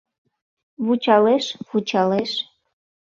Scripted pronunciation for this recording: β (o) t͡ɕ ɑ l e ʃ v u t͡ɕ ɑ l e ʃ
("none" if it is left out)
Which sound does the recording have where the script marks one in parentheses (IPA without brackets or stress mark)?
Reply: u